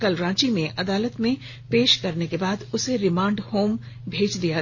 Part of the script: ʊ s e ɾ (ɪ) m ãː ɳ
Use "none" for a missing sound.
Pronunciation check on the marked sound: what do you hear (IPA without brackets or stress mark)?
ɪ